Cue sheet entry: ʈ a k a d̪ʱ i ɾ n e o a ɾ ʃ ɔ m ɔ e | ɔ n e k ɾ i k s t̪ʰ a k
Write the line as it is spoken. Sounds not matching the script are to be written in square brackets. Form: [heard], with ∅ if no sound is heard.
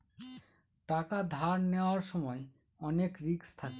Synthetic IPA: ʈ a k a d̪ʱ [a] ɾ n e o a ɾ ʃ ɔ m ɔ e | ɔ n e k ɾ i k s t̪ʰ a k

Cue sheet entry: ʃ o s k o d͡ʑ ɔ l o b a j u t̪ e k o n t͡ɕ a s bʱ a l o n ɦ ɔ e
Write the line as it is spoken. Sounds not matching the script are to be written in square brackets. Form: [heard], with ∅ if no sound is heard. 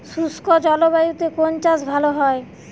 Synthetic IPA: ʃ [u] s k o d͡ʑ ɔ l o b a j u t̪ e k o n t͡ɕ a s bʱ a l o [∅] ɦ ɔ e

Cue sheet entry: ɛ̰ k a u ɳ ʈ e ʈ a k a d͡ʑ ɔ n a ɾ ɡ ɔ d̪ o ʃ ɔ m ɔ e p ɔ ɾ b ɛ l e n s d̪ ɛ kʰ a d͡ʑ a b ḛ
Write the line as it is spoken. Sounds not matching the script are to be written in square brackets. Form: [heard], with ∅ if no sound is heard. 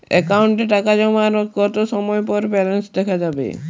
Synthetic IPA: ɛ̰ k a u ɳ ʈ e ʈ a k a d͡ʑ ɔ [m] a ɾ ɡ ɔ [t̪] o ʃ ɔ m ɔ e p ɔ ɾ b ɛ l e n s d̪ ɛ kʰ a d͡ʑ a b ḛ

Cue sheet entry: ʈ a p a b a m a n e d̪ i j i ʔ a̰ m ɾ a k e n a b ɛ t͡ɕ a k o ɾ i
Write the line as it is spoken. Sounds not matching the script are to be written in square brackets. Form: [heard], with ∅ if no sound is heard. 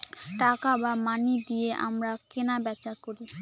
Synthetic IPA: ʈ a [k] a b a m a n [i] d̪ i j [e] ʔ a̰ m ɾ a k e n a b ɛ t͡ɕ a k o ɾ i

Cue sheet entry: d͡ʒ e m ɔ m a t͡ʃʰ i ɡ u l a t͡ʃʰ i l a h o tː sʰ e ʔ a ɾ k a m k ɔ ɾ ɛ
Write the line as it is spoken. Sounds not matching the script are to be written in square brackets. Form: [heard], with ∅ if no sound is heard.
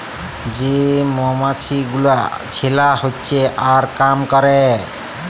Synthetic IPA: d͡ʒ e m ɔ m a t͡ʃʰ i ɡ u l a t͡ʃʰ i l a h o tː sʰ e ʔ a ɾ k a m k ɔ ɾ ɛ

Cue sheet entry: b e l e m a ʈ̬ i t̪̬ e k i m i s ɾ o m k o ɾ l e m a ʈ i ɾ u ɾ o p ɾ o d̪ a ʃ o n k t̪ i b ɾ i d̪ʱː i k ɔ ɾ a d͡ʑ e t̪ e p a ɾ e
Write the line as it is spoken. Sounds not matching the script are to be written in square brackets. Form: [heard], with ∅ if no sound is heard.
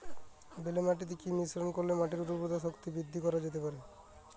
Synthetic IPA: b e l e m a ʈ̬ i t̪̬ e k i m i s ɾ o [n] k o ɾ l e m a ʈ i ɾ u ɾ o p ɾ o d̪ a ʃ o [∅] k t̪ i b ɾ i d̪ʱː i k ɔ ɾ a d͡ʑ e t̪ e p a ɾ e

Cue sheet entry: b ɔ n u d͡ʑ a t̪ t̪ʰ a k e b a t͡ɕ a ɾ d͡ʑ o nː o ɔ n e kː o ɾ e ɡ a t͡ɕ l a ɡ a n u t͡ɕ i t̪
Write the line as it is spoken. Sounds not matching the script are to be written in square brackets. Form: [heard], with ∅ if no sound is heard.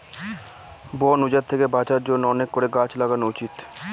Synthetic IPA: b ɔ n u d͡ʑ a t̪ t̪ʰ [e] k e b a t͡ɕ a ɾ d͡ʑ o nː o ɔ n e kː o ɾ e ɡ a t͡ɕ l a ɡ a n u t͡ɕ i t̪

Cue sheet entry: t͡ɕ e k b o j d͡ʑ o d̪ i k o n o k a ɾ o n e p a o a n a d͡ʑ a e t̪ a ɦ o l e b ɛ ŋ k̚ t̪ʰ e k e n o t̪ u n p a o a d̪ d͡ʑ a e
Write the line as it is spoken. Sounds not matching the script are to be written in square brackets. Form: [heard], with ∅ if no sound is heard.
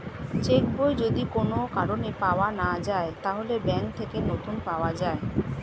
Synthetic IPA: t͡ɕ e k b o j d͡ʑ o d̪ i k o n o k a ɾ o n e p a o a n a d͡ʑ a e t̪ a ɦ o l e b ɛ ŋ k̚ t̪ʰ e k e n o t̪ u n p a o a [∅] d͡ʑ a e

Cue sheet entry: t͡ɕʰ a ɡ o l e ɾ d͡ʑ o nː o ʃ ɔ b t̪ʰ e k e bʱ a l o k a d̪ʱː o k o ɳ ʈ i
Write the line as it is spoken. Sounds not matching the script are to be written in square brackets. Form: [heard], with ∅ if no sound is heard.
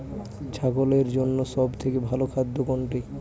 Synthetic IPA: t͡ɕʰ a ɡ o l e ɾ d͡ʑ o nː o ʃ ɔ b t̪ʰ e k e bʱ a l o [kʰ] a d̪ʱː o k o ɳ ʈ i

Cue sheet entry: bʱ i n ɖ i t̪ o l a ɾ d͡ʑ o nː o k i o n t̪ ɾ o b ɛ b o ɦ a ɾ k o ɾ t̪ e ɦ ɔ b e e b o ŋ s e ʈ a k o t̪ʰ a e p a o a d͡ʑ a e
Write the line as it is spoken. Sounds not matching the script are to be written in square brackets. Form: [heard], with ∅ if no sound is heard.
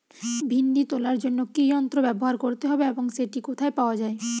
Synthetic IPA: bʱ i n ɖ i t̪ o l a ɾ d͡ʑ o nː o k i [ɔ] n t̪ ɾ o b ɛ b o ɦ a ɾ k o ɾ t̪ e ɦ ɔ b e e b o ŋ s e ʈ [i] k o t̪ʰ a e p a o a d͡ʑ a e

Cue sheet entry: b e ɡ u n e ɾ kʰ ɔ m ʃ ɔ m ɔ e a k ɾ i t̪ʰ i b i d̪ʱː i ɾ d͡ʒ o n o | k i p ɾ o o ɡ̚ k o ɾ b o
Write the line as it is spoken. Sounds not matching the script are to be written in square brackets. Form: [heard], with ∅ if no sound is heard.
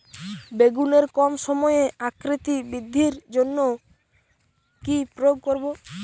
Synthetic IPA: b e ɡ u n e ɾ [k] ɔ m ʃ ɔ m ɔ e a k ɾ i [t̪] i b i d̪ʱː i ɾ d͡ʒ o [nː] o | k i p ɾ o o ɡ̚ k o ɾ b o

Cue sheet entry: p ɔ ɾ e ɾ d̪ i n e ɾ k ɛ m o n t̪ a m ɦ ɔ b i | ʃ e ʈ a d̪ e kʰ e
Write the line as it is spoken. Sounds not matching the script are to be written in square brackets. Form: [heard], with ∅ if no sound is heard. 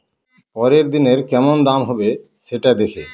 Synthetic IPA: p ɔ ɾ e ɾ d̪ i n e ɾ k ɛ m o n [d̪] a m ɦ ɔ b [e] | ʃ e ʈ a d̪ e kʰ e

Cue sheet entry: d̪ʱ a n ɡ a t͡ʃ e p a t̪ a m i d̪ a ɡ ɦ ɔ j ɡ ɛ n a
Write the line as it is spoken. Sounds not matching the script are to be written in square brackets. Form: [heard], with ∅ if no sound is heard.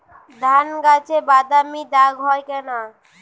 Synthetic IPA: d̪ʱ a n ɡ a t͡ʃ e [b] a [d̪] a m i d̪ a ɡ ɦ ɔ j [k] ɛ n a

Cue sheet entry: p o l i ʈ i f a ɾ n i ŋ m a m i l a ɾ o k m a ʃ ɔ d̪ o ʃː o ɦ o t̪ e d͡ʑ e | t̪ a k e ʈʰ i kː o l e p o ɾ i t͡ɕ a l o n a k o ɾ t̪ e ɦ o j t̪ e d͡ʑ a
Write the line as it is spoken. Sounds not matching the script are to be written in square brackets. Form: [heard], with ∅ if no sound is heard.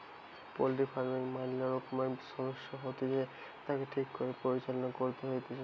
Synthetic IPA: p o l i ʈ i f a ɾ [m] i ŋ m a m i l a ɾ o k m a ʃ ɔ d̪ o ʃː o ɦ o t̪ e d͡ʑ e | t̪ a k e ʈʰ i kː o [ɾ] e p o ɾ i t͡ɕ a l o n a k o ɾ t̪ e ɦ o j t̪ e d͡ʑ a

